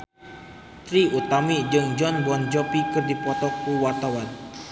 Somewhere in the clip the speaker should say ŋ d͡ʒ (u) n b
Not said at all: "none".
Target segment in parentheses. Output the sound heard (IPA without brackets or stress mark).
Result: ɔ